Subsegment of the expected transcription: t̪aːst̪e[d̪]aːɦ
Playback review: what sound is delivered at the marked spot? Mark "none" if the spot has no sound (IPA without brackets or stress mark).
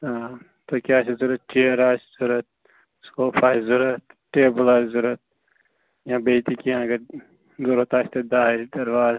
d̪